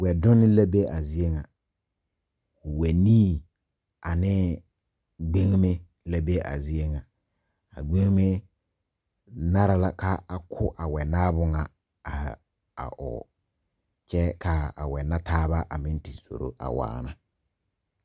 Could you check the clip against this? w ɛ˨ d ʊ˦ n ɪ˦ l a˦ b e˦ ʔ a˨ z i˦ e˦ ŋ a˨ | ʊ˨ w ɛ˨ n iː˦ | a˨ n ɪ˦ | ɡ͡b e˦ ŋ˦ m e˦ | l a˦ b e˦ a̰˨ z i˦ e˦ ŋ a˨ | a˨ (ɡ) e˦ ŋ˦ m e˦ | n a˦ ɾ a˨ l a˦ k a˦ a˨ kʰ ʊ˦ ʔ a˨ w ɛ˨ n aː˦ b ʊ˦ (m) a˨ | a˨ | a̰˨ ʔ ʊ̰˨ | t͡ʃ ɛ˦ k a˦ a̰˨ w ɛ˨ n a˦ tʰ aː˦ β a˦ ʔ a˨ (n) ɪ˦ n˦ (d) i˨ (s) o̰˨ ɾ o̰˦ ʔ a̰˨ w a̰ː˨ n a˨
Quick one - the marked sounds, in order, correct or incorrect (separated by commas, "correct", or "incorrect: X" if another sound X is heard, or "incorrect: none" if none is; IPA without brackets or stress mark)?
incorrect: ɡ͡b, incorrect: ŋ, incorrect: m, incorrect: t, correct